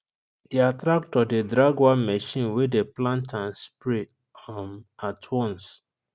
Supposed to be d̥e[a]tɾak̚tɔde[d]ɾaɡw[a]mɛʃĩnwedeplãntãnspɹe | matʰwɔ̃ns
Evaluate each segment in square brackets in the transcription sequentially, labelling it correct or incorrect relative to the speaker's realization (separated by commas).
correct, correct, correct